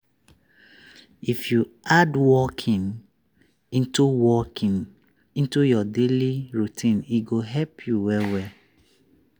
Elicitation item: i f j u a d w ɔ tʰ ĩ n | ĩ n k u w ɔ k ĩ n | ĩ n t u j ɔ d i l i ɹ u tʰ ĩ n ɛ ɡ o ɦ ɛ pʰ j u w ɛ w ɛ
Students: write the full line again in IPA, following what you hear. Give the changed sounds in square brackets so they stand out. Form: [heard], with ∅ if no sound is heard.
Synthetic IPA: i f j u a d w ɔ [kʰ] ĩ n | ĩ n [t] u w ɔ k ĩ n | ĩ n t u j ɔ d [e] l i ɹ u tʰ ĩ n [i] ɡ o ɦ ɛ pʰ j u w ɛ w ɛ